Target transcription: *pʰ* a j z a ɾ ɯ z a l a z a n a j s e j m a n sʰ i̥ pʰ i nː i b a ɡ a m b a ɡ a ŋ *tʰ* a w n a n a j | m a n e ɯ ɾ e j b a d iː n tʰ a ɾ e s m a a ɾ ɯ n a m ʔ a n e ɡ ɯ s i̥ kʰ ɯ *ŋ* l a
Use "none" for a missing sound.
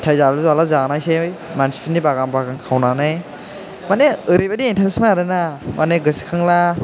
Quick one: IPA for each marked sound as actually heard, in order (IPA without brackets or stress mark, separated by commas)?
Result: tʰ, kʰ, ŋ